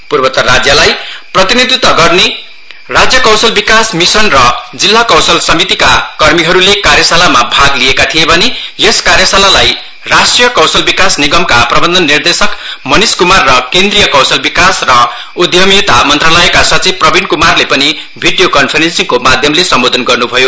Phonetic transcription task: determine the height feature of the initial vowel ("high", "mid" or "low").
high